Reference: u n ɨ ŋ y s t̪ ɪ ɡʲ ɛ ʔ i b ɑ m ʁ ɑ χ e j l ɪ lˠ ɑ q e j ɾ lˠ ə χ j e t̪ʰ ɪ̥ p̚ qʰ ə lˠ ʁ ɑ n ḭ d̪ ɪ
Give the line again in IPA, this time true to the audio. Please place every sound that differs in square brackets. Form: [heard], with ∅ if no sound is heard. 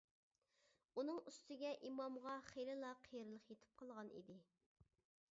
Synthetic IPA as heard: u n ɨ ŋ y s t̪ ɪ ɡʲ ɛ ʔ i [m] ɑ m ʁ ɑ χ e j l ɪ lˠ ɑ [qʰ] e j ɾ lˠ ə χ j e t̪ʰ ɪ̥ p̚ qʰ [ɑ] lˠ ʁ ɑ n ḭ d̪ ɪ

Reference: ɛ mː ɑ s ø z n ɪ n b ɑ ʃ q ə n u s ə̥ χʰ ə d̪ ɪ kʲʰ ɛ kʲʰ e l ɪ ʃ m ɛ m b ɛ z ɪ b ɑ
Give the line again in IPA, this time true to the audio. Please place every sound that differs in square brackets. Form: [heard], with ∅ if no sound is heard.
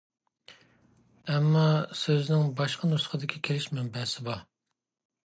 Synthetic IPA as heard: ɛ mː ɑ s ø z n ɪ [ŋ] b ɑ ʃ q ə n u s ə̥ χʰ ə d̪ ɪ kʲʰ [i] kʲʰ e l ɪ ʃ m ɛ m b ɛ [s] ɪ b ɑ

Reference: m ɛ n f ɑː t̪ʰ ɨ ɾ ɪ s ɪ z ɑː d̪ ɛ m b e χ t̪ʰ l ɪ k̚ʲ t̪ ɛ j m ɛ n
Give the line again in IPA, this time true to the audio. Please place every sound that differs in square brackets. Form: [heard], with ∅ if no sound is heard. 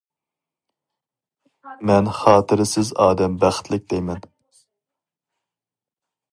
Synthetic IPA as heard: m ɛ n [χ] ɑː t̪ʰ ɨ ɾ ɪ s ɪ z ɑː d̪ ɛ m b [æ] χ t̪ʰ l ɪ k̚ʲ [d̪] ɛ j m ɛ n

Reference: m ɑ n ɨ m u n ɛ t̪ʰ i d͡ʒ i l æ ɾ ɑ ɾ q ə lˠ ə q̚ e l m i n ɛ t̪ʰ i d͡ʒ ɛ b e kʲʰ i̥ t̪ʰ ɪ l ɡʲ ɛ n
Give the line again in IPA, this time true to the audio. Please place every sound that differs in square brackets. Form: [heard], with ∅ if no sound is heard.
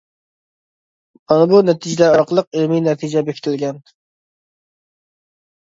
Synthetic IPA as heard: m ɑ n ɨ [b] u n ɛ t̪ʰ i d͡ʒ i l æ ɾ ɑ ɾ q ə lˠ ə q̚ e l m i n ɛ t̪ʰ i d͡ʒ ɛ b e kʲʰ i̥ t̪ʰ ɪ l ɡʲ ɛ n

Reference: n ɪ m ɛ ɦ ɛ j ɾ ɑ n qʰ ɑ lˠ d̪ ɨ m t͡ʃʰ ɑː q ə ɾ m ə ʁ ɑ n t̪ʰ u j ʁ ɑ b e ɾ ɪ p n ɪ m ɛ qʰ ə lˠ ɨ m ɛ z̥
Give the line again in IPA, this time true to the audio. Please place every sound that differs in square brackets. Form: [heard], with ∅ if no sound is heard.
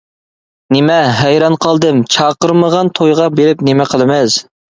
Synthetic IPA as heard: n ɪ m ɛ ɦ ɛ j ɾ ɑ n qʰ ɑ lˠ d̪ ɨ m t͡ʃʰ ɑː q ə ɾ m ə ʁ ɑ n t̪ʰ [o] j ʁ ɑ b e ɾ ɪ p n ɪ m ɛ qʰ ə lˠ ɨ m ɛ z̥

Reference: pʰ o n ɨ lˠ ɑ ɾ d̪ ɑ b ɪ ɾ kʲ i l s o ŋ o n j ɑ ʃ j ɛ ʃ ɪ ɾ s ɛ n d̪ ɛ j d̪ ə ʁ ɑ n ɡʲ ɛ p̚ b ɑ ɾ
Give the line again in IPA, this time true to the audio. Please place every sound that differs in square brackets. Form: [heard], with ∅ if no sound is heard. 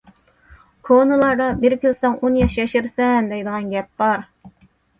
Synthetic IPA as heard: [kʰ] o n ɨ lˠ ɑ ɾ d̪ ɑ b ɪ ɾ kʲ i l s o ŋ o n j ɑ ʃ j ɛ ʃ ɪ ɾ s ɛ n d̪ ɛ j d̪ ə ʁ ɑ n ɡʲ ɛ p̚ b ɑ ɾ

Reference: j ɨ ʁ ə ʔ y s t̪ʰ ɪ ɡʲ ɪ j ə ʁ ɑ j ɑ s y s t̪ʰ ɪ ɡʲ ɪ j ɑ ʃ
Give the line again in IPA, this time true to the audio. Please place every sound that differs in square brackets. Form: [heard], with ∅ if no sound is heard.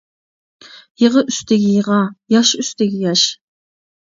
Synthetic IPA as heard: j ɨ ʁ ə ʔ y s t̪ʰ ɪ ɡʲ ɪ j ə ʁ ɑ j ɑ [ʃ] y s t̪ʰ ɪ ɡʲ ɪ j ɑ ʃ

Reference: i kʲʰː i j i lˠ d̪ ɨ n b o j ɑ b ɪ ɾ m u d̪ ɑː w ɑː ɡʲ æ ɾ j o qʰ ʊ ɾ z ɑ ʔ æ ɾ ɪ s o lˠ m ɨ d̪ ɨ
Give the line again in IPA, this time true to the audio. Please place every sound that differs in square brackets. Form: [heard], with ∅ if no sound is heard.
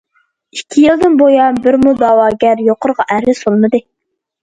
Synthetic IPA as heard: i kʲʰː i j i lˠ d̪ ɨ n b o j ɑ b ɪ ɾ m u d̪ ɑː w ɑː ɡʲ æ ɾ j o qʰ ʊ ɾ [ʁ] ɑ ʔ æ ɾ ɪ s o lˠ m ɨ d̪ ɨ

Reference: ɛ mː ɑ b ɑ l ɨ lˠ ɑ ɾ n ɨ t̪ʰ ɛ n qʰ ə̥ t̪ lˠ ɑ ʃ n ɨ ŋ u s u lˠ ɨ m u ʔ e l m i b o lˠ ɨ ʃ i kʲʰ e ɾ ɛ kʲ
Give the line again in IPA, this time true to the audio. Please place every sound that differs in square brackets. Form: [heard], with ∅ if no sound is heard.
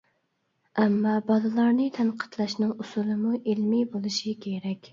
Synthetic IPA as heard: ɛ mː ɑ b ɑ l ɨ lˠ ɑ ɾ n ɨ t̪ʰ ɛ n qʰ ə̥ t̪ lˠ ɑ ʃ n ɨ ŋ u s u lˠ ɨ m u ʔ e l m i b o lˠ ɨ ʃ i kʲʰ e ɾ ɛ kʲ

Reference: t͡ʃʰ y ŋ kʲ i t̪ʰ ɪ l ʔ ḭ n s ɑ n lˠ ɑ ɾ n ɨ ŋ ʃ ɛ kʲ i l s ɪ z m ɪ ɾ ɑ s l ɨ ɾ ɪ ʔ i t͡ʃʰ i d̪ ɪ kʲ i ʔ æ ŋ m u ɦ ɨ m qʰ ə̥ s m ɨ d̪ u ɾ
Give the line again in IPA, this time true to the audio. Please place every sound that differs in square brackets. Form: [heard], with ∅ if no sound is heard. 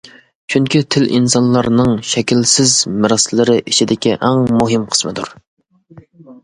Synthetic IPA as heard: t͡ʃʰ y ŋ kʲ i t̪ʰ ɪ l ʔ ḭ n s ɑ n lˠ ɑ ɾ n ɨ ŋ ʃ ɛ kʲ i l s ɪ z m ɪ ɾ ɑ s l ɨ ɾ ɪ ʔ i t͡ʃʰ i d̪ ɪ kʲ i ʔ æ ŋ m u ɦ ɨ m qʰ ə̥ s m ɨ d̪ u ɾ

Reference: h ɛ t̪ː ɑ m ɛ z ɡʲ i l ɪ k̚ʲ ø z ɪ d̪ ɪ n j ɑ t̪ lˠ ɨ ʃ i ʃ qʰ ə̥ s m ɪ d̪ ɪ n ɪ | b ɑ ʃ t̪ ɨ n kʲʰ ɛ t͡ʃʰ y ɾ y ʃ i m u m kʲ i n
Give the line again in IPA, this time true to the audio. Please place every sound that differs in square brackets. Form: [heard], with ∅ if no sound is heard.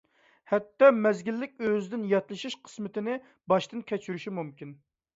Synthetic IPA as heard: h ɛ t̪ː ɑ m ɛ z ɡʲ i [lː] ɪ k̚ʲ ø z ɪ d̪ ɪ n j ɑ t̪ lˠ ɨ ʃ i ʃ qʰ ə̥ s m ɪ [t̪] ɪ n ɪ | b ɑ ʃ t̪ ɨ n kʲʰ ɛ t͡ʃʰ y ɾ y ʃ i m u m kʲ i n

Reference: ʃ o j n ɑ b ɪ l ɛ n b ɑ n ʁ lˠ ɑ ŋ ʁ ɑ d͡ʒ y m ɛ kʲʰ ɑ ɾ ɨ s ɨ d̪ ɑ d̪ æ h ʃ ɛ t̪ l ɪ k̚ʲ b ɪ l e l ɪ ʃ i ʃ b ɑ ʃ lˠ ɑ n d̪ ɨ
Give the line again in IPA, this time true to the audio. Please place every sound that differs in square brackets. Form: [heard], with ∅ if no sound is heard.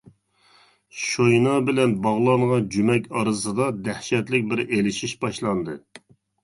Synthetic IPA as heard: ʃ o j n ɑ b ɪ l ɛ n b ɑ [∅] ʁ lˠ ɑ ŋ ʁ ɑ d͡ʒ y m ɛ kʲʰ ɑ ɾ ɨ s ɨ d̪ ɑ d̪ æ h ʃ ɛ t̪ l ɪ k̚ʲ b ɪ [ɾ] e l ɪ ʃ i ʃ b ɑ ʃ lˠ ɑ n d̪ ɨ

